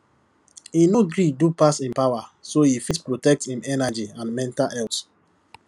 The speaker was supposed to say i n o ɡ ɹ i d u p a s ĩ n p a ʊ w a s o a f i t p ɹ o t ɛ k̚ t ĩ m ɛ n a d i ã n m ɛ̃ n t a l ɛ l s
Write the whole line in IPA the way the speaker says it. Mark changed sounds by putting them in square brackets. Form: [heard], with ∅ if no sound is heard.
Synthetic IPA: i n o ɡ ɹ i d u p a s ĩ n p a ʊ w a s o [i] f i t p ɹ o t ɛ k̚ t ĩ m ɛ n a [d͡ʒ] i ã n m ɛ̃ n t a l ɛ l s